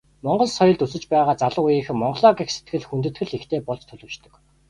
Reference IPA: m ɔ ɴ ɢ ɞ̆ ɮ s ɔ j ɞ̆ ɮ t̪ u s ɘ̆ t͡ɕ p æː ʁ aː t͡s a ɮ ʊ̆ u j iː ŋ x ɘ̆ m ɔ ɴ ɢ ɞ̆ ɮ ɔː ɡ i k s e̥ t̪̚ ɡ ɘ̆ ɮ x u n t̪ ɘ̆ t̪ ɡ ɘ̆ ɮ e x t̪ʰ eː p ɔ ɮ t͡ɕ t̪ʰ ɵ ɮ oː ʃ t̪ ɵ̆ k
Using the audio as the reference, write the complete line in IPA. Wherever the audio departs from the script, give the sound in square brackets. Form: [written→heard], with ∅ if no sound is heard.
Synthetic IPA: m ɔ ɴ ɢ ɞ̆ ɮ s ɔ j ɞ̆ ɮ t̪ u s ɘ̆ t͡ɕ p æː ʁ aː t͡s a ɮ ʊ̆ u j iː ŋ x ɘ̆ m ɔ ɴ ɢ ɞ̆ ɮ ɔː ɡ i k s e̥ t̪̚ ɡ ɘ̆ ɮ x u n t̪ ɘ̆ t̪ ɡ ɘ̆ ɮ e x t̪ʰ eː p ɔ ɮ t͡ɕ t̪ʰ ɵ ɮ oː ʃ t̪ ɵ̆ k